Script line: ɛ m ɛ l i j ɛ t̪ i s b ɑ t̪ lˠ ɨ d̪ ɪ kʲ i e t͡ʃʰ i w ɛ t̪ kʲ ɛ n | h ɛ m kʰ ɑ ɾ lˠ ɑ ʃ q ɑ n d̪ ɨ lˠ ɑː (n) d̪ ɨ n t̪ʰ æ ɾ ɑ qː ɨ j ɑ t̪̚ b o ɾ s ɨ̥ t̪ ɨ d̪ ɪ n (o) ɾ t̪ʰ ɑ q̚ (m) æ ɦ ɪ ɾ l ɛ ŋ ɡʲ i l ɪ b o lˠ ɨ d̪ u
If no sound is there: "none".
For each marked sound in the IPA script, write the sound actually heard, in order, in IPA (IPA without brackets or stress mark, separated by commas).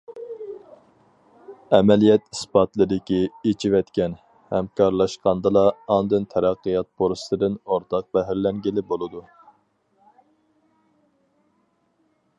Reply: n, o, b